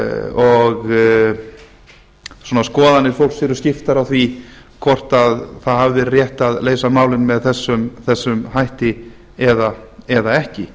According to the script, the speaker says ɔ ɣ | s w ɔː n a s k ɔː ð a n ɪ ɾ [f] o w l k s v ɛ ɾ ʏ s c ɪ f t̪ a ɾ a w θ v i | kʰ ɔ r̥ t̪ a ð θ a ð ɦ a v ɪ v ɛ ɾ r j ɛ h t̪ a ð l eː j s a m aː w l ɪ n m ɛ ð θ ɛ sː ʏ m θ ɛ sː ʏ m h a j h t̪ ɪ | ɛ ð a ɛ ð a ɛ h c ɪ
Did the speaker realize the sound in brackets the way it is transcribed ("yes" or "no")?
yes